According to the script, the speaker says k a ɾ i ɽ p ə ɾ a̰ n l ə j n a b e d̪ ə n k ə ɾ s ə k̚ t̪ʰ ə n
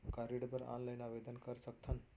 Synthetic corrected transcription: k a ɾ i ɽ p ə ɾ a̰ n l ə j n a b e d̪ ə n k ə ɾ s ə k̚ t̪ʰ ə n